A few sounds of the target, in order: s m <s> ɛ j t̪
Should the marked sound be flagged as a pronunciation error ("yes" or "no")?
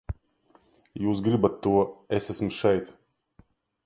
yes